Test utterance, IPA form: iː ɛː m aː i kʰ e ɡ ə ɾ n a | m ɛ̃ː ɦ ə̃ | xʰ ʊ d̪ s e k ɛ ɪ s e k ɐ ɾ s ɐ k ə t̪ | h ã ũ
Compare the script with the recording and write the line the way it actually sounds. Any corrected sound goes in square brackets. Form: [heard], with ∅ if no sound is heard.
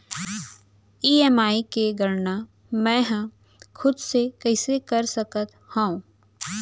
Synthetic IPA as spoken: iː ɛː m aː i [k] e ɡ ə ɾ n a | m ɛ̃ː ɦ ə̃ | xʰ ʊ d̪ s e k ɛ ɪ s e k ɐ ɾ s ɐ k ə t̪ | h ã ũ